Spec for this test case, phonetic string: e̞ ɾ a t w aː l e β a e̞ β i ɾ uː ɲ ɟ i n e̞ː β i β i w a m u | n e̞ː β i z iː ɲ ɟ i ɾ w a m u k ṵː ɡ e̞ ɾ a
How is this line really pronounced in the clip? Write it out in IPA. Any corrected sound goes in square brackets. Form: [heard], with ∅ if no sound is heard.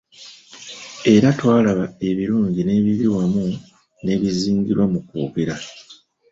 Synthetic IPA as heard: e̞ ɾ a t w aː l [a] β a e̞ β i ɾ uː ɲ ɟ i n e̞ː β i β i w a m u | n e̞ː β i z iː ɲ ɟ i ɾ w a m u k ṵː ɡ e̞ ɾ a